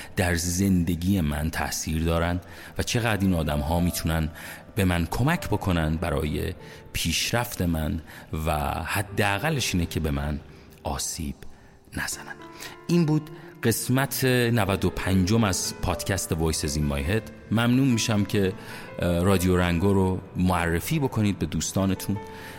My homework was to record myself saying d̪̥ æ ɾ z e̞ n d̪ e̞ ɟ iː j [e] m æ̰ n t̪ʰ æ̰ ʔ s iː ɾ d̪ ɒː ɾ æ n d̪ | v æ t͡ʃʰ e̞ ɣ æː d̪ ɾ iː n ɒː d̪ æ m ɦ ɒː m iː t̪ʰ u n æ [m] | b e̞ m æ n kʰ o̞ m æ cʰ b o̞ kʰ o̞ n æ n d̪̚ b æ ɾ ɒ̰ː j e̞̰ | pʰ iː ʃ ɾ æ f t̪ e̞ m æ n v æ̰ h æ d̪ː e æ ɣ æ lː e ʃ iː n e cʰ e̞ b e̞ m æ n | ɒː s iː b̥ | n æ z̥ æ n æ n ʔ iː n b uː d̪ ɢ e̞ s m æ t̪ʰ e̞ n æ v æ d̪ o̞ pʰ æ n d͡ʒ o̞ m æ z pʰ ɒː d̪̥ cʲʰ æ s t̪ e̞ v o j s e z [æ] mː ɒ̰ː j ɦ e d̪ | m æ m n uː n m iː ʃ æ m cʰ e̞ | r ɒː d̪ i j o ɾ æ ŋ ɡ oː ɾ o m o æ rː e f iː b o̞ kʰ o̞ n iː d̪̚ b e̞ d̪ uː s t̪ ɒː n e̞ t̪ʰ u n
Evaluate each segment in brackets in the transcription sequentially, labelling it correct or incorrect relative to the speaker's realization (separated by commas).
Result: correct, incorrect, incorrect